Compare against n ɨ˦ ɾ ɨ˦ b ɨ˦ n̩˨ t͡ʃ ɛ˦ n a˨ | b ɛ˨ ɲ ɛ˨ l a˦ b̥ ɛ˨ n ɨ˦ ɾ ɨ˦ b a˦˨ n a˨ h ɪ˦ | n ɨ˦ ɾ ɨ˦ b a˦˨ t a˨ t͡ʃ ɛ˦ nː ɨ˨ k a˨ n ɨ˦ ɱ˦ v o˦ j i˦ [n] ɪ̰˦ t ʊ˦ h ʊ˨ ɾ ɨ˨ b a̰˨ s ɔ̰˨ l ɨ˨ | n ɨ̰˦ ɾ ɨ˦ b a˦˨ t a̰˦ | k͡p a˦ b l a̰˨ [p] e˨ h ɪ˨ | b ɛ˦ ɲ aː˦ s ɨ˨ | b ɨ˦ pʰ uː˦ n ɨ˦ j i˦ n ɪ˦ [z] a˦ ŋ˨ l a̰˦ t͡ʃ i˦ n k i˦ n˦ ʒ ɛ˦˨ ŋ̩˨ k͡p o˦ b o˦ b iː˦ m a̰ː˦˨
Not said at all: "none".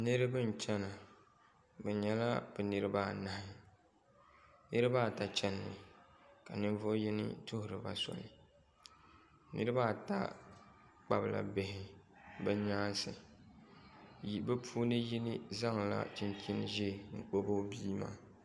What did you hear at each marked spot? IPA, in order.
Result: n, b, z

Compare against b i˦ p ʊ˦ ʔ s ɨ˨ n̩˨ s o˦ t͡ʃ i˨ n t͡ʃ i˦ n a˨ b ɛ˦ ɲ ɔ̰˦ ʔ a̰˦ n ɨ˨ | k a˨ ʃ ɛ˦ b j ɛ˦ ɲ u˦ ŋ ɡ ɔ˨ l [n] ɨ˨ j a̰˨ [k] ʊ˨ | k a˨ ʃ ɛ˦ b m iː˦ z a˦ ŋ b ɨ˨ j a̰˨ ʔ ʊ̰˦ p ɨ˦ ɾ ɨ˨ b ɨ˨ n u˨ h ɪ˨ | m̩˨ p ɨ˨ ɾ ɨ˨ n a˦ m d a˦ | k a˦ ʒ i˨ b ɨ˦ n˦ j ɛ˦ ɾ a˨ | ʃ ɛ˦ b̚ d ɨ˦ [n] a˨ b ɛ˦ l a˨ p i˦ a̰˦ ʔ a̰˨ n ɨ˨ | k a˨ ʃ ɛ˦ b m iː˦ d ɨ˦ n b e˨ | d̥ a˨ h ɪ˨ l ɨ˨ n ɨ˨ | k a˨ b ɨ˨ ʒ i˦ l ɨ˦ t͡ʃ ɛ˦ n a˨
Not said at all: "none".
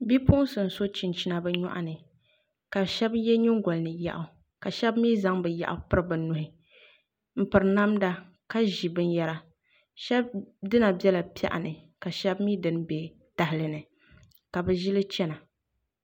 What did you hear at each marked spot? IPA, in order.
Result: n, ʔ, n

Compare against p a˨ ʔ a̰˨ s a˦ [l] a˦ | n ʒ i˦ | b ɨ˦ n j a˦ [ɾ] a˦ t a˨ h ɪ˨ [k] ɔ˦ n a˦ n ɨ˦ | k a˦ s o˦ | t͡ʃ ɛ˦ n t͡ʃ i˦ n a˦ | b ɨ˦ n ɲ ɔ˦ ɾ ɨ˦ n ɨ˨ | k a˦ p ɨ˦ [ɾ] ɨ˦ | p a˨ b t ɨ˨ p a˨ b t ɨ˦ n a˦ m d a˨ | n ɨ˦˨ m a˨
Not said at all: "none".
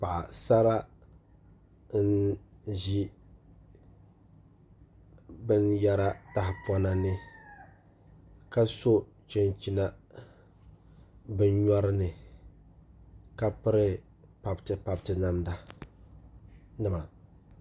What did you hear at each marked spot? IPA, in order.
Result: ɾ, ɾ, p, ɾ

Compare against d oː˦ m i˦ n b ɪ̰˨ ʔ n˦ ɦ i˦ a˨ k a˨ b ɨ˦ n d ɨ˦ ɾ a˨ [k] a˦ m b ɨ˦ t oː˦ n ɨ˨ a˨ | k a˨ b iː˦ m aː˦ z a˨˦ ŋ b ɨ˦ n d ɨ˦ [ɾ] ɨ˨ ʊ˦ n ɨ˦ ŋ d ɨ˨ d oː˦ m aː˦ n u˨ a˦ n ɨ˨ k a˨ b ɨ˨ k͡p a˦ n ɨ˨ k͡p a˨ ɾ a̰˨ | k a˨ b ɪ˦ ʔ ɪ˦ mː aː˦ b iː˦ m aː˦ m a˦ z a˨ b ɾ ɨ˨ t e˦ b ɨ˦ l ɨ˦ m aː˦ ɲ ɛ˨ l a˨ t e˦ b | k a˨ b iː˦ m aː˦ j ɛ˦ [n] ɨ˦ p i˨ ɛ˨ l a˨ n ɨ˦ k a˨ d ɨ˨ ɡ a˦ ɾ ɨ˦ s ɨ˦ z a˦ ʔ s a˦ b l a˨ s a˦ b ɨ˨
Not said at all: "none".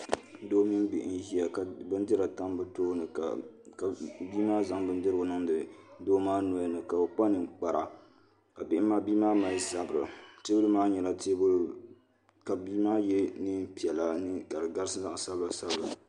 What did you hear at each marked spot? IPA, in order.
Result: t, ɾ, n

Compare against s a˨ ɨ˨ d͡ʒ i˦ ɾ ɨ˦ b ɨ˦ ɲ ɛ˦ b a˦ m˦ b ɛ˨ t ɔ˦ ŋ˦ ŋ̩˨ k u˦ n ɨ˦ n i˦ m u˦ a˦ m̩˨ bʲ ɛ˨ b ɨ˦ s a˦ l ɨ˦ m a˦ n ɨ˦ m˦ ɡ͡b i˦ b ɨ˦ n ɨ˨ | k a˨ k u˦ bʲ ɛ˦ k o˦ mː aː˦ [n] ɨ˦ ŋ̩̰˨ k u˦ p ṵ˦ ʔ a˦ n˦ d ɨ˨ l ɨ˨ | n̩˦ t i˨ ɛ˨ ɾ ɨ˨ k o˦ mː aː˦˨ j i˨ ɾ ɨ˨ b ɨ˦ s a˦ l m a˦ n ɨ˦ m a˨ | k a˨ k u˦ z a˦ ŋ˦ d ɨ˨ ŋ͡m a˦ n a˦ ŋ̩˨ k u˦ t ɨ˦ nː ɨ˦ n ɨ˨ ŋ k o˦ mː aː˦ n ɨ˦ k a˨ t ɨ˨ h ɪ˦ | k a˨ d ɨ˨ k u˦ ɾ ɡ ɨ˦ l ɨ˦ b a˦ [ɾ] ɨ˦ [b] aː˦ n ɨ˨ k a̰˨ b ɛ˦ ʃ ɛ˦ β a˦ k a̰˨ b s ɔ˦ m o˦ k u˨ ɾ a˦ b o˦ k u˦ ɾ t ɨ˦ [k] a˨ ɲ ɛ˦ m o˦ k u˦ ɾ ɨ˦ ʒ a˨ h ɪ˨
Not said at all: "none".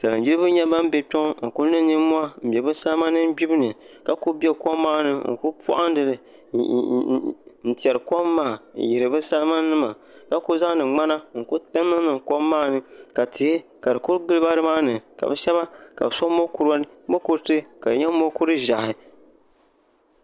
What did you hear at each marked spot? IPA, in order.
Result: n, ɾ, m, k

